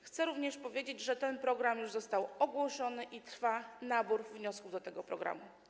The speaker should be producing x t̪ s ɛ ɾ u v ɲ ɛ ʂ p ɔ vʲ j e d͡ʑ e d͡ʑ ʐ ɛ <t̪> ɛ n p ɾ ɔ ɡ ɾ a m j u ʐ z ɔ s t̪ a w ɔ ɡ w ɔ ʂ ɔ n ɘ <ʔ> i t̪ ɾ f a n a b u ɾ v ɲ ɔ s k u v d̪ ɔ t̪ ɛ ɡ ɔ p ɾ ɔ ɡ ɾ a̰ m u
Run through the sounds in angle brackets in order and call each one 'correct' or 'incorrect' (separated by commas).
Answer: correct, correct